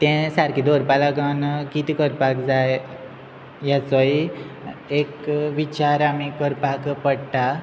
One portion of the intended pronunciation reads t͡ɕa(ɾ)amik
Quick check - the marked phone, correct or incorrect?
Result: correct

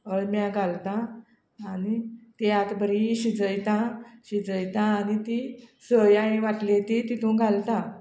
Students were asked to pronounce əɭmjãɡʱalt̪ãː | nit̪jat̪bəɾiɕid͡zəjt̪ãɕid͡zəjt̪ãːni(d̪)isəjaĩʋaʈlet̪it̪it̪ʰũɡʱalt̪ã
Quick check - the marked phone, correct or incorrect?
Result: incorrect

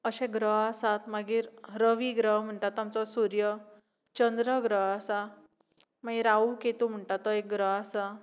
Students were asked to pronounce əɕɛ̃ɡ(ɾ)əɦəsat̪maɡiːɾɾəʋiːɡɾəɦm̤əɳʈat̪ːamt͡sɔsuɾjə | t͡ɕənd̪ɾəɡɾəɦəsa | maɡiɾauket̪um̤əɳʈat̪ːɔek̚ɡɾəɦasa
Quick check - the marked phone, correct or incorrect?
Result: correct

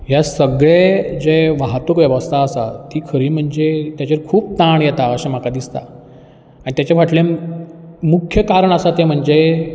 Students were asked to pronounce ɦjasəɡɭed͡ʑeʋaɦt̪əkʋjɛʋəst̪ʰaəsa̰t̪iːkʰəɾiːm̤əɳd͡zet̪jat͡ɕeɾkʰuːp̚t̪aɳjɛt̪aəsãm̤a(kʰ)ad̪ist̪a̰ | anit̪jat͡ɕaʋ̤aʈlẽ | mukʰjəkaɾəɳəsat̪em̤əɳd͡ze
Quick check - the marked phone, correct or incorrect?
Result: incorrect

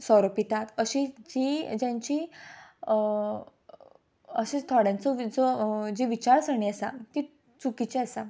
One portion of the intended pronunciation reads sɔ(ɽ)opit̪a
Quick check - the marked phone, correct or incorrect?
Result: incorrect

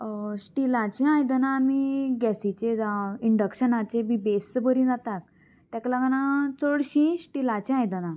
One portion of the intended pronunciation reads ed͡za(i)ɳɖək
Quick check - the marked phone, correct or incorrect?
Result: correct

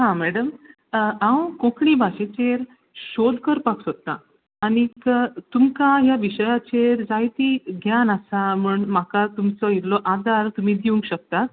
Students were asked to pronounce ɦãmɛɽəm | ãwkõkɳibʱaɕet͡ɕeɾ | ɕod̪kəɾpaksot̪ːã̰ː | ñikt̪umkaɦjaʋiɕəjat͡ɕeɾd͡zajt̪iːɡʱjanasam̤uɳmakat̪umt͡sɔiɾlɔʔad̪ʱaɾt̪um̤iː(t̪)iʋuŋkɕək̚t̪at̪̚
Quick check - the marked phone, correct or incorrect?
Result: incorrect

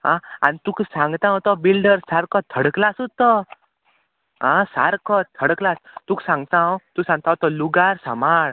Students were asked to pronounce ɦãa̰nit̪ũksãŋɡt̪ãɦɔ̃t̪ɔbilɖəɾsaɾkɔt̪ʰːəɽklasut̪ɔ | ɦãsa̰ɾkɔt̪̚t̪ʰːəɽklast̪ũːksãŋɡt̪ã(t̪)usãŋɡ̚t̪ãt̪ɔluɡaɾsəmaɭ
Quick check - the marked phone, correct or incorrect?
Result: correct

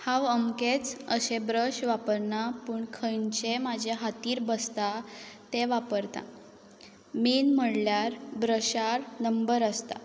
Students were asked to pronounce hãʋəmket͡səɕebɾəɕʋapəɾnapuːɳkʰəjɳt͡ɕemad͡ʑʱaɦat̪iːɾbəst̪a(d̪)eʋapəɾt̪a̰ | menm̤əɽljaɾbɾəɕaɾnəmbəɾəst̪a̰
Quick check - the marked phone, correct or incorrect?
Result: incorrect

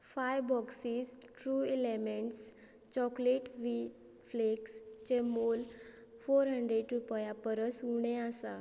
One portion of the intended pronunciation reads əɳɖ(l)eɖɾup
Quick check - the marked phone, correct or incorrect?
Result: incorrect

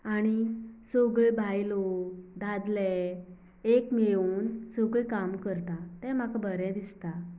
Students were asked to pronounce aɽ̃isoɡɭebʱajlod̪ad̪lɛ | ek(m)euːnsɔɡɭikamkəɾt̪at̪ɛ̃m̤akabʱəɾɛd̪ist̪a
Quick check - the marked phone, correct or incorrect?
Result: correct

